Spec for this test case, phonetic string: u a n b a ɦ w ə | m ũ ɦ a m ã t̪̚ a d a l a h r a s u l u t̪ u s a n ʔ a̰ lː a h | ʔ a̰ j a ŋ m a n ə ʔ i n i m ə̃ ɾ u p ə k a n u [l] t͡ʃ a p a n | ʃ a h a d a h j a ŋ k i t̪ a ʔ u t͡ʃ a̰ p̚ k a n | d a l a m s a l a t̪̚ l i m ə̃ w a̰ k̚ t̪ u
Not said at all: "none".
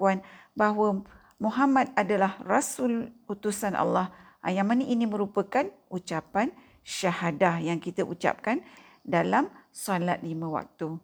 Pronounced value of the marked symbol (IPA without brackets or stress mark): none